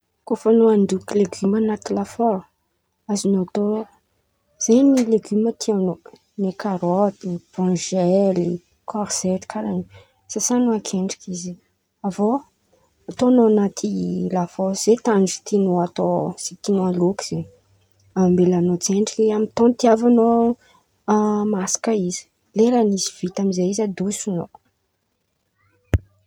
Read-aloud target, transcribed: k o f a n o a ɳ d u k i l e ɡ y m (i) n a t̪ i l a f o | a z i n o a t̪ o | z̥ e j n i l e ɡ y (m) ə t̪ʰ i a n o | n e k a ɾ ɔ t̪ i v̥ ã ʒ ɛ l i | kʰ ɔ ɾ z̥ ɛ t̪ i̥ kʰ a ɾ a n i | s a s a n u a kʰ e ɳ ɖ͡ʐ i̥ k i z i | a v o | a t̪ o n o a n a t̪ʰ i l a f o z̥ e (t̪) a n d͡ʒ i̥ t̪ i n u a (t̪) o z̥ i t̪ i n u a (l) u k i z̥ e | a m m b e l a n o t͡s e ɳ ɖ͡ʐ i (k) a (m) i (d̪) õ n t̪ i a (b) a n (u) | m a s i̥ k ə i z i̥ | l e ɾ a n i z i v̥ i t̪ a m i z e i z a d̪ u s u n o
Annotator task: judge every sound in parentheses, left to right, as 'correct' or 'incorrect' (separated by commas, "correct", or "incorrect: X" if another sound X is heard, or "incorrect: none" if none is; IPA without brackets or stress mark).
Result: incorrect: a, correct, correct, correct, correct, correct, correct, incorrect: t̪, incorrect: v, incorrect: o